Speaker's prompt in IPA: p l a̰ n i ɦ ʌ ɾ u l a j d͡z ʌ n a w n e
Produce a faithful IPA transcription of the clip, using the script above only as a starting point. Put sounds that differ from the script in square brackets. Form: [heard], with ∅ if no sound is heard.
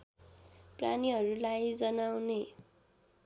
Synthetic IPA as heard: p [r] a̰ n i ɦ ʌ ɾ u l a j d͡z ʌ n a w n e